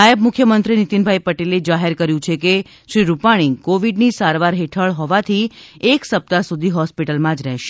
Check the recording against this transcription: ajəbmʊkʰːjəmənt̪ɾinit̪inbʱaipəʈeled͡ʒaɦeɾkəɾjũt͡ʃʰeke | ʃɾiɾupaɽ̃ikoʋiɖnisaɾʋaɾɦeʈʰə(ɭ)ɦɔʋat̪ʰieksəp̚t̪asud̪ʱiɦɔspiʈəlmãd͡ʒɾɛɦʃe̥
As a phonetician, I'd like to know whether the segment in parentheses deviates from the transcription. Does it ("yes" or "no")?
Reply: no